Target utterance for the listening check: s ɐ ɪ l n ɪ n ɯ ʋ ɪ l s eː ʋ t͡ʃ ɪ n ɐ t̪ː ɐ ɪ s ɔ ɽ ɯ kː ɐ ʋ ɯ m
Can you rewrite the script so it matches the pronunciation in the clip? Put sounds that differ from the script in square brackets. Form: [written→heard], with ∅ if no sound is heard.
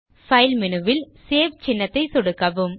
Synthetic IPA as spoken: [s→f] ɐ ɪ l [n→m] ɪ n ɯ ʋ ɪ l s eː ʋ t͡ʃ ɪ [n→nː] ɐ t̪ː ɐ ɪ s ɔ ɽ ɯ kː ɐ ʋ ɯ m

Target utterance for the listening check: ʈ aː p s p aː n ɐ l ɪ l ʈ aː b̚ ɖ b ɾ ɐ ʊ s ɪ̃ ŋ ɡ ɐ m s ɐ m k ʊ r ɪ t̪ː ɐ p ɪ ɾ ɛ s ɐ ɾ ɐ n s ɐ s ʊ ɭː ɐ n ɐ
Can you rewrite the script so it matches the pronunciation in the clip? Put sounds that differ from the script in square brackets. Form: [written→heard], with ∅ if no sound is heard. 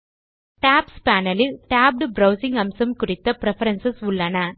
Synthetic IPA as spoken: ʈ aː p s p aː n ɐ l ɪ l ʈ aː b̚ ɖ b ɾ ɐ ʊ s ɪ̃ ŋ ɡ ɐ m s ɐ m k ʊ r ɪ t̪ː ɐ p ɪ ɾ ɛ [s→f] ɐ ɾ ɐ n s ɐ s ʊ ɭː ɐ n ɐ

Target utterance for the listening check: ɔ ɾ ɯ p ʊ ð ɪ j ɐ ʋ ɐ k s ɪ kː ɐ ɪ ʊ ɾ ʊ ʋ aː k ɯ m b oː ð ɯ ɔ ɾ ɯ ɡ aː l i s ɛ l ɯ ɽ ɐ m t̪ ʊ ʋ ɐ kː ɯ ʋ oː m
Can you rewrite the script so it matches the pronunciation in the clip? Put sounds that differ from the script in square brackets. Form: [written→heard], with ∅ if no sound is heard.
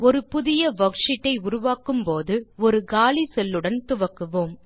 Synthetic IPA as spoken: ɔ ɾ ɯ p ʊ ð ɪ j ɐ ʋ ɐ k [s→ʂ] ɪ [kː→ʈː] ɐ ɪ ʊ ɾ ʊ ʋ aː k ɯ m [b→p] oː ð ɯ ɔ ɾ ɯ ɡ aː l i s ɛ [l→lː] ɯ ɽ ɐ [m→n] t̪ ʊ ʋ ɐ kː ɯ ʋ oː m

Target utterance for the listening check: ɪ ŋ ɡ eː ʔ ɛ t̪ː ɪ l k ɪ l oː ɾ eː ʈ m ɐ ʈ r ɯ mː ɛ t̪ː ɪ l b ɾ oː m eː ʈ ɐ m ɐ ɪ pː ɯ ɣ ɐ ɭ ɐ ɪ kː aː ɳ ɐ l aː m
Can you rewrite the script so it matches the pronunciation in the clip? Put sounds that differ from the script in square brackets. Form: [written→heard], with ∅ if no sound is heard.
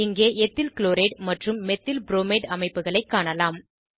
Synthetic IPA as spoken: ɪ ŋ ɡ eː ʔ ɛ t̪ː ɪ l k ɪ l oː ɾ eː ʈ m ɐ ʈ r ɯ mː ɛ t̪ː ɪ l b ɾ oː m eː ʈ ɐ m ɐ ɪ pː ɯ ɣ ɐ ɭ ɐ ɪ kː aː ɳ ɐ l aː m

